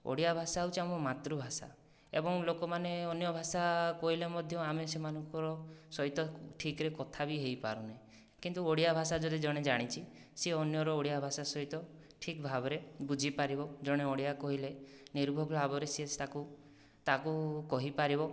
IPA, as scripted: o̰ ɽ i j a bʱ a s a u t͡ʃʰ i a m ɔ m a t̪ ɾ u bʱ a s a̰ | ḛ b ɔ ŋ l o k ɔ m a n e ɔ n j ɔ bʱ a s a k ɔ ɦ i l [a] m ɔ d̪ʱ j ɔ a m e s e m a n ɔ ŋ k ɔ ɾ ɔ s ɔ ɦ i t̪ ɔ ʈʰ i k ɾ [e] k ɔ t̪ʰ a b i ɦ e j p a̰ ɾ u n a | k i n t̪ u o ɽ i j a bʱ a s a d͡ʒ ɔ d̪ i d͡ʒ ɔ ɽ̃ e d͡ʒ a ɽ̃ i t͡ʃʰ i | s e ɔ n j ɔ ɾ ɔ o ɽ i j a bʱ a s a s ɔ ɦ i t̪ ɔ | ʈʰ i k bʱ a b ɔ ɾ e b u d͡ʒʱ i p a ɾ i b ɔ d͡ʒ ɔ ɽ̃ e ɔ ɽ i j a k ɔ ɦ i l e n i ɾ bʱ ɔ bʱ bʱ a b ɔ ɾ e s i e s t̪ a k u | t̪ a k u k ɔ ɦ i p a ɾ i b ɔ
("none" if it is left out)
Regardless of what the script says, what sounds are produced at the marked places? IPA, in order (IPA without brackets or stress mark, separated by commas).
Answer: e, e